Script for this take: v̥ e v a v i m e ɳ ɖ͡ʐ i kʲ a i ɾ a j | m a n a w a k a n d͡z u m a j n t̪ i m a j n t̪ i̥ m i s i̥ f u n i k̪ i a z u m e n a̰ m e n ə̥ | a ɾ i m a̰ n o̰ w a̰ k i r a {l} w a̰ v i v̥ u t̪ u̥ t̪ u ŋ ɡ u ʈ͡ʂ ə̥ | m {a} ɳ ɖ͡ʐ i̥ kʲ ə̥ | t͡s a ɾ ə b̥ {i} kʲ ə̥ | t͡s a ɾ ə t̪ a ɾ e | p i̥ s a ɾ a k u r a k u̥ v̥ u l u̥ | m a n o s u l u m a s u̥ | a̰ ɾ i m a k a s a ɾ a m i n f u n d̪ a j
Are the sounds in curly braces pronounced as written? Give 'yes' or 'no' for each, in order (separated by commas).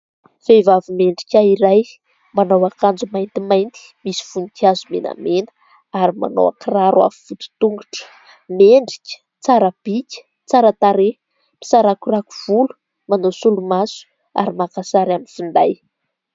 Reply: no, no, yes